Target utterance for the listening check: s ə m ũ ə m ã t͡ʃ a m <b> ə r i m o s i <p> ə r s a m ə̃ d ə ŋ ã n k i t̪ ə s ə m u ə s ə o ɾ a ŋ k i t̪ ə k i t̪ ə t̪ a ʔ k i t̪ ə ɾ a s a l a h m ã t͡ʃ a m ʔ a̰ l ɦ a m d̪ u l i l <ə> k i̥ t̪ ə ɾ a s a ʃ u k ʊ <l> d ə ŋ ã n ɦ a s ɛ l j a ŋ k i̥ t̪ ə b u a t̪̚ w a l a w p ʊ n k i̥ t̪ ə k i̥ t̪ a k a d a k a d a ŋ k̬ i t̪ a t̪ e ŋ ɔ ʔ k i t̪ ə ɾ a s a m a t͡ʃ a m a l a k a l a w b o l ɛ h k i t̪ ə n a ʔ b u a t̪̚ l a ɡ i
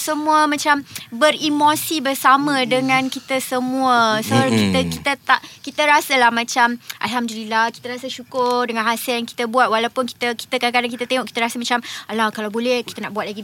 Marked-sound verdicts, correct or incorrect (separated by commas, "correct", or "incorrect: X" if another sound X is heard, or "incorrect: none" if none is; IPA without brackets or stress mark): correct, incorrect: b, incorrect: a, incorrect: r